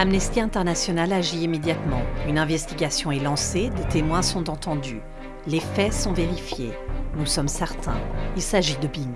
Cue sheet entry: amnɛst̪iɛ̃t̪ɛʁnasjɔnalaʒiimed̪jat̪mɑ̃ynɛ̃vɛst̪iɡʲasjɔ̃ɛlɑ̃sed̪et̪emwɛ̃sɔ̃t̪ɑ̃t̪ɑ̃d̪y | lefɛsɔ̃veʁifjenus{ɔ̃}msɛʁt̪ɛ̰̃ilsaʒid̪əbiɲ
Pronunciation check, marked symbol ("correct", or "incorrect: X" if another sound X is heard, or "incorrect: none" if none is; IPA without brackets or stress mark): incorrect: ɔ